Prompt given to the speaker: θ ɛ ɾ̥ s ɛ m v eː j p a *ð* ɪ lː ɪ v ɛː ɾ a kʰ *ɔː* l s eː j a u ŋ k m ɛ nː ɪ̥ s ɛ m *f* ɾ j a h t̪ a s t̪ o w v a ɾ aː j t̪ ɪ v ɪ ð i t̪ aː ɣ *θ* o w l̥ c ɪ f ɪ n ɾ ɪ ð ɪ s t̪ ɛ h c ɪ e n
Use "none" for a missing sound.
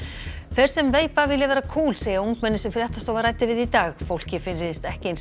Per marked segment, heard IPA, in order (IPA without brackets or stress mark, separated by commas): v, uː, f, f